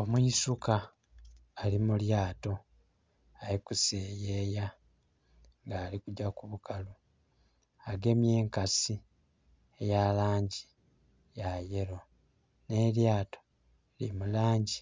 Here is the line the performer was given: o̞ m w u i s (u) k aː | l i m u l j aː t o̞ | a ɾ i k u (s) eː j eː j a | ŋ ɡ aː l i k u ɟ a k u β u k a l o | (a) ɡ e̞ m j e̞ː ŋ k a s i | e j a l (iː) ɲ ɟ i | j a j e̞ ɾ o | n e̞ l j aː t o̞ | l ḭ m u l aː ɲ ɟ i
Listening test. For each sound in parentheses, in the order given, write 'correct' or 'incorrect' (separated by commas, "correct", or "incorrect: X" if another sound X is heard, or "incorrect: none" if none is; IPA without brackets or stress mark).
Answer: correct, correct, correct, incorrect: aː